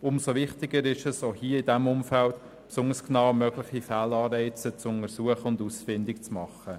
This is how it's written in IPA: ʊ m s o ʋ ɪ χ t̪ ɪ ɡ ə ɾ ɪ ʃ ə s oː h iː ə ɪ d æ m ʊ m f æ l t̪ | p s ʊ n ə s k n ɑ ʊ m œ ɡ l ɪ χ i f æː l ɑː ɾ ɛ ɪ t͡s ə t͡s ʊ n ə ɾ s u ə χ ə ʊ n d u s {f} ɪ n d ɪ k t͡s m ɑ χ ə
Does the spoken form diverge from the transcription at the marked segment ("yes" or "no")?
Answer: no